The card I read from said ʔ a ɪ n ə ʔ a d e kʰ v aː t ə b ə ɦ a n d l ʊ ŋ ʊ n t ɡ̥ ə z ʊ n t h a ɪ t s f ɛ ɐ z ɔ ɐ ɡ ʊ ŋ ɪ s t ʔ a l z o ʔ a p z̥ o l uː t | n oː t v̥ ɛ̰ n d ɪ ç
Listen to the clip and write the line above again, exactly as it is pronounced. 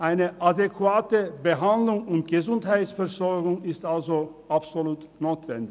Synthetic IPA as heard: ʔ a ɪ n ə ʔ a d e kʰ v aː t ə b ə ɦ a n d l ʊ ŋ ʊ n t ɡ̥ ə z ʊ n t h a ɪ t s f ɛ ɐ z ɔ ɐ ɡ ʊ ŋ ɪ s t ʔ a l z o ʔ a p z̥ o l uː t | n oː t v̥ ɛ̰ n d ɪ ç